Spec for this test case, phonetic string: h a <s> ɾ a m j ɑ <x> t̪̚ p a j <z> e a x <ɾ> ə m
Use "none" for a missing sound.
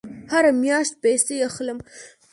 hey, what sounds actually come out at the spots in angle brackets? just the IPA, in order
none, ʃ, s, l

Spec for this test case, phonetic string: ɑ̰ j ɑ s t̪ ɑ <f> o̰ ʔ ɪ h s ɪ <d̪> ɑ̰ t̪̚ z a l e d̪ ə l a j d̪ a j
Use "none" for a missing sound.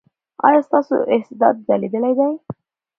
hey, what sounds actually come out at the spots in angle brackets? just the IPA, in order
s, d̪

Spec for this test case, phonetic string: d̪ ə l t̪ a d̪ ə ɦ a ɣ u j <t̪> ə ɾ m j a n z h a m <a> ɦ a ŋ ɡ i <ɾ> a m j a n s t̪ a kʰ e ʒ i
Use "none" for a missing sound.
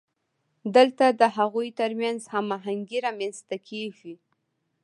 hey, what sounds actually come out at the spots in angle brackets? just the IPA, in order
t̪, a, ɾ

